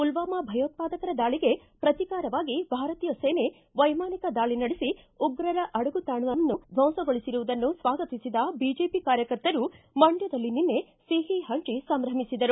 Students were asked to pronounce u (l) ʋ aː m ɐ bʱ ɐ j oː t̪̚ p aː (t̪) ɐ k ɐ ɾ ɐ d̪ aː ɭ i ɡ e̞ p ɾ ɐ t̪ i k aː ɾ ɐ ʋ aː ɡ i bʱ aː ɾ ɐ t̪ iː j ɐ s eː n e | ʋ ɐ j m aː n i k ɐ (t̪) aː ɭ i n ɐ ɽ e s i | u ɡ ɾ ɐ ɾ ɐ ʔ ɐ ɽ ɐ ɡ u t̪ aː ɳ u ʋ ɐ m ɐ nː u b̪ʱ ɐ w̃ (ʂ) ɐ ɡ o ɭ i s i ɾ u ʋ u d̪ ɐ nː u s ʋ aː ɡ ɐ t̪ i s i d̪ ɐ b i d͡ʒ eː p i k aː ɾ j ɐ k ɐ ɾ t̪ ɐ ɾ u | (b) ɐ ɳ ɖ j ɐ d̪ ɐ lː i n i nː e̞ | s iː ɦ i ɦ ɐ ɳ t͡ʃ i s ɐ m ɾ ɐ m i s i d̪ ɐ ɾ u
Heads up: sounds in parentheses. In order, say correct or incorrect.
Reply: correct, incorrect: d̪, incorrect: d̪, incorrect: s, incorrect: m

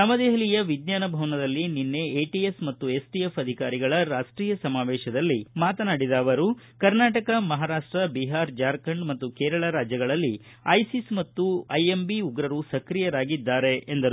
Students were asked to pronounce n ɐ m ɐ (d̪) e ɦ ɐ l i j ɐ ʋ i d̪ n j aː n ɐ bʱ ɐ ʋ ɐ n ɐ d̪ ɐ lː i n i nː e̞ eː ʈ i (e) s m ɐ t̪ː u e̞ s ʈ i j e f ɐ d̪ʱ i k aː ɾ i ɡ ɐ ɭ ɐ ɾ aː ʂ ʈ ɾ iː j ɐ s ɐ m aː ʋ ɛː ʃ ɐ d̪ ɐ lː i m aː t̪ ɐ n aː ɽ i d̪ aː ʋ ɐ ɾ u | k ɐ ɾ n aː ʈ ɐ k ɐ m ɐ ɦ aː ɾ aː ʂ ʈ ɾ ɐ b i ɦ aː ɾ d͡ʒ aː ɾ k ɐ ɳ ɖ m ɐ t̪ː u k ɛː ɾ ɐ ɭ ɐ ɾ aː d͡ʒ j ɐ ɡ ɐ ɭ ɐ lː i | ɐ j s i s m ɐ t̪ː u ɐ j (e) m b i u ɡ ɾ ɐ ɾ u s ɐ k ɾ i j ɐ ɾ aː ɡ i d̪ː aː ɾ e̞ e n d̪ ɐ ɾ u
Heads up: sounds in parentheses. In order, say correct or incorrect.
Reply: correct, correct, correct

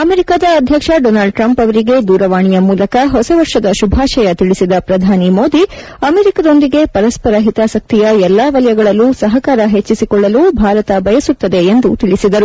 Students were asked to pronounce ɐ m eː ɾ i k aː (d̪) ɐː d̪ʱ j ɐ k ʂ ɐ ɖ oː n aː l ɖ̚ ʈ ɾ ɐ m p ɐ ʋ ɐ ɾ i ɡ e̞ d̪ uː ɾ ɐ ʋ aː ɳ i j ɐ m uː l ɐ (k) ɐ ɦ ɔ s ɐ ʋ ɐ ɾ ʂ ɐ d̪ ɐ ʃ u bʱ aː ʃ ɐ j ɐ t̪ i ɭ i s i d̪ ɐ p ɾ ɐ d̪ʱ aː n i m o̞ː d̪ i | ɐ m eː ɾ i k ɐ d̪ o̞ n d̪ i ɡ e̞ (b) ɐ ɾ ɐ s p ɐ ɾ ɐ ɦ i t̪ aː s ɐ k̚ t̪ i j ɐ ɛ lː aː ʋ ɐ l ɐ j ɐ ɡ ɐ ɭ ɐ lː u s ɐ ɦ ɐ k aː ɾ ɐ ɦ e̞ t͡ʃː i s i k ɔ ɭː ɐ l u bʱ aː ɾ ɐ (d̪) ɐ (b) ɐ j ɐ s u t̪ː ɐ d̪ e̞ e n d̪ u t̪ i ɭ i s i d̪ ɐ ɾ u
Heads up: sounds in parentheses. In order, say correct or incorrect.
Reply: correct, correct, incorrect: p, incorrect: t̪, correct

